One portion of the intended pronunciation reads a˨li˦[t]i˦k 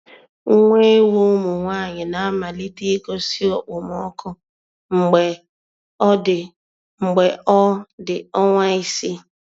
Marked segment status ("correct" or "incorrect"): correct